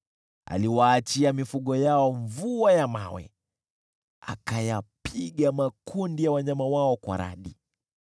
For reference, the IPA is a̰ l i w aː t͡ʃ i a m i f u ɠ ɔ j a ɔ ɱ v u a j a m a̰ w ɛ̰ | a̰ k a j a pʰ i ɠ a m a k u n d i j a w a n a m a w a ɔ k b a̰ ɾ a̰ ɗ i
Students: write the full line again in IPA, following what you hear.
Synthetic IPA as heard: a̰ l i w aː t͡ʃ i a m i f u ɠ ɔ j a ɔ ɱ v u a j a m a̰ w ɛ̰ | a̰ k a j a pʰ i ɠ a m a k u n d i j a w a ɲ a m a w a ɔ k w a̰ ɾ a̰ ɗ i